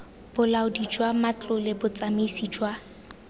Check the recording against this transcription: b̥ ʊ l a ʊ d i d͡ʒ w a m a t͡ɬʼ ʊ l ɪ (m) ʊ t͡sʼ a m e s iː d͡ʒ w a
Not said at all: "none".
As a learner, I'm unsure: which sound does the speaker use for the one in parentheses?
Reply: b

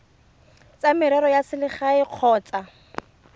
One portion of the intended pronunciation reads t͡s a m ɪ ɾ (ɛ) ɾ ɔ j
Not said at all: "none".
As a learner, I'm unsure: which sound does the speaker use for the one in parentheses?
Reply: ɛ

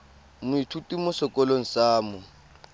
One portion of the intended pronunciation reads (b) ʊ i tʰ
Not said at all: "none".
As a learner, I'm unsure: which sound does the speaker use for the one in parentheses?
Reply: m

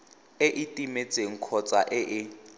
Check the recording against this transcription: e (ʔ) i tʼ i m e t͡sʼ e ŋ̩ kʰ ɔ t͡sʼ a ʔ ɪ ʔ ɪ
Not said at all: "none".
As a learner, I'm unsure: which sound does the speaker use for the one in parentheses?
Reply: ʔ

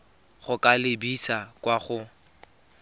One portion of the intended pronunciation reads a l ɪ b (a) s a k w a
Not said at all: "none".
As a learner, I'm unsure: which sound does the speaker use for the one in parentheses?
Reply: i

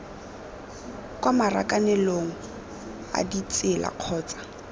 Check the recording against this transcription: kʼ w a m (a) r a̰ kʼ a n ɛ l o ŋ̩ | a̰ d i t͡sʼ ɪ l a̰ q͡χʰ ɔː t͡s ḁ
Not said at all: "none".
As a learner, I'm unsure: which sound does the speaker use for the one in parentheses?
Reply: a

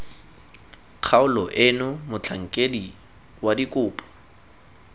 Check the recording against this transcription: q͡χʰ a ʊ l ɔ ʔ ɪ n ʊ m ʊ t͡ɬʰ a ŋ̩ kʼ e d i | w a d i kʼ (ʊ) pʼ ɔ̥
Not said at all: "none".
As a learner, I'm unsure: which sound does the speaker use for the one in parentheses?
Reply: ʊː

